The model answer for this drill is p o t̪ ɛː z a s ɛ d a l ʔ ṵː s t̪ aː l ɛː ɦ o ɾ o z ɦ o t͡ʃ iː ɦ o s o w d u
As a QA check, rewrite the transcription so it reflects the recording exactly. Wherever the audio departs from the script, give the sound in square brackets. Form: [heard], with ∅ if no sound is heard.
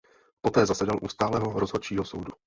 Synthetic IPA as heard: p o t̪ ɛː z a s ɛ d a l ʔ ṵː s t̪ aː l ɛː ɦ o ɾ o z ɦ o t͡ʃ iː ɦ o s o w d u